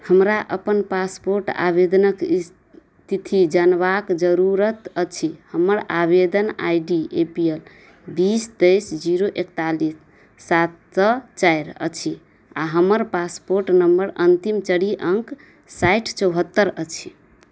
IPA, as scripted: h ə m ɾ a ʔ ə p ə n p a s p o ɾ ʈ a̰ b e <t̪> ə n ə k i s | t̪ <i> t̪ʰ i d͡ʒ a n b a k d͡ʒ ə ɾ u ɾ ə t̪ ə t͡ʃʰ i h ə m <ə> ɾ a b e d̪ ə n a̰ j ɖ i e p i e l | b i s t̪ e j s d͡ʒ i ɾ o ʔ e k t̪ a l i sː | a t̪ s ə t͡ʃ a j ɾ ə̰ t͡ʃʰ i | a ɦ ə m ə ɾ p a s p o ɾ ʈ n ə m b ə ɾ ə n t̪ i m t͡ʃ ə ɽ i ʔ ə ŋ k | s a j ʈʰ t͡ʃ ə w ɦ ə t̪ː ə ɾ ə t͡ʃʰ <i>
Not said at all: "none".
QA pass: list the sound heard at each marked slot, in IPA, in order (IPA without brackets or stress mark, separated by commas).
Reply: d̪, i, ə, i